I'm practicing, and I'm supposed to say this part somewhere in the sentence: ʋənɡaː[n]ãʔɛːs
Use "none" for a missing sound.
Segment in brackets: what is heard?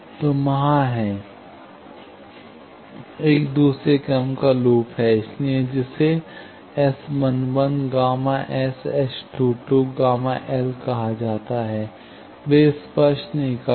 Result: m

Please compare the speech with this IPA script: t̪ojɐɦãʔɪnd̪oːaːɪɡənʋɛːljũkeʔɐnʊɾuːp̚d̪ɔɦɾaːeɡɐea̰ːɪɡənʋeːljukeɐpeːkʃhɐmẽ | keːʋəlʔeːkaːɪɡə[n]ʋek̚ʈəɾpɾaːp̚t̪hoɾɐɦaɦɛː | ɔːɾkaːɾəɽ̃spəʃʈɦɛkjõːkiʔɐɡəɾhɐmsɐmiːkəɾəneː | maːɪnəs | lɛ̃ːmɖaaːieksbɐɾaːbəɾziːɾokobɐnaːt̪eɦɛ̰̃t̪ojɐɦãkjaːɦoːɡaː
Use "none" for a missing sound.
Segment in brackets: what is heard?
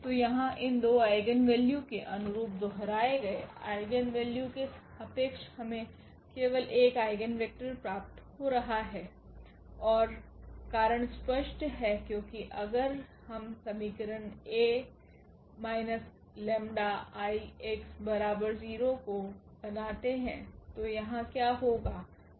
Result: n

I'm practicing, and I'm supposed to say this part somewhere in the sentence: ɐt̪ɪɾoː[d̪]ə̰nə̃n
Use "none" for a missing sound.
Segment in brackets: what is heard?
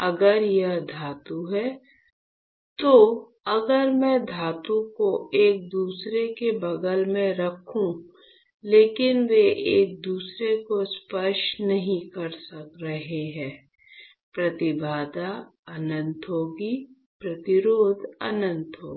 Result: d̪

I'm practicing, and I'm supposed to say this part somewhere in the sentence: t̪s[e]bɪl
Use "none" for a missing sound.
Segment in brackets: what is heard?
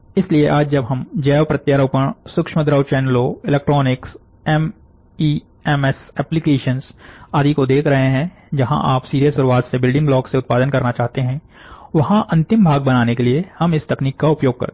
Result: e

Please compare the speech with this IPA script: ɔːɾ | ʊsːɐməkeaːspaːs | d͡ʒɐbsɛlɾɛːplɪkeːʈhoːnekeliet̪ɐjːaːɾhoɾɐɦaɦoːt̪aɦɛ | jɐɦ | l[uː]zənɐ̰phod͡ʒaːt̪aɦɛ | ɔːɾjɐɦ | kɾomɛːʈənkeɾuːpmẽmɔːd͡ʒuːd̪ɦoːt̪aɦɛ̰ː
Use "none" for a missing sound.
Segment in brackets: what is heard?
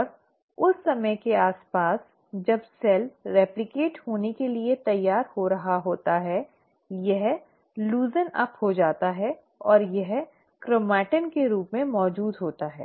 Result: uː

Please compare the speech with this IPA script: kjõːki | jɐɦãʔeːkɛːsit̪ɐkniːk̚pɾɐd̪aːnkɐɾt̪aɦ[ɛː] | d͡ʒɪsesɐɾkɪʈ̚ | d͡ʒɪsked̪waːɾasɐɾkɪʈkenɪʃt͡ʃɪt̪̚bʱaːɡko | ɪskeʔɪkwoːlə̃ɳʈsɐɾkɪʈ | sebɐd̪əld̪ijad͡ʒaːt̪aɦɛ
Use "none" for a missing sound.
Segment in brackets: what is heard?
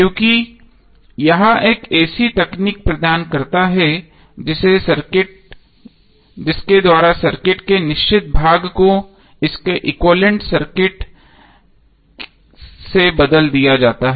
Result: ɛ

